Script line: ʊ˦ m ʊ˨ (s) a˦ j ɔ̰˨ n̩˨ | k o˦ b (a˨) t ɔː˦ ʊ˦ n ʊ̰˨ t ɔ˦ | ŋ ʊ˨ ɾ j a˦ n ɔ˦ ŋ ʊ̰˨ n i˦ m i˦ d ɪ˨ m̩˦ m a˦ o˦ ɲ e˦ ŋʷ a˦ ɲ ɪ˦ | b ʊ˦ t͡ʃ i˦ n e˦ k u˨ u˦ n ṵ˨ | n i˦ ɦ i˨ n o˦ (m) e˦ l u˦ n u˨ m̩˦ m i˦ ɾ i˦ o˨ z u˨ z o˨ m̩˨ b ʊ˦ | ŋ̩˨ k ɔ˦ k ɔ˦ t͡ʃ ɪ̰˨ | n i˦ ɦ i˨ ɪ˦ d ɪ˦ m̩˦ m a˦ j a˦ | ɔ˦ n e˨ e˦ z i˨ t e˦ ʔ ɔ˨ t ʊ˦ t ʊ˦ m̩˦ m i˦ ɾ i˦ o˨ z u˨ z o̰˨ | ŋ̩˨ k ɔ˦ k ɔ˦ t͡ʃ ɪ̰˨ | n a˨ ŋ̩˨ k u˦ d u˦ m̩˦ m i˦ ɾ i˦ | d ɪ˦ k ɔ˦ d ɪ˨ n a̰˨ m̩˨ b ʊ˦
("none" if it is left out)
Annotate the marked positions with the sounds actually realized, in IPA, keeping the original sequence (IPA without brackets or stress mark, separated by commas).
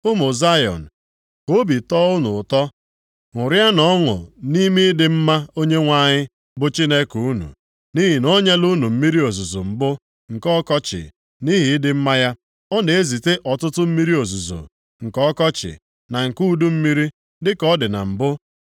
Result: z, i˨, ɲ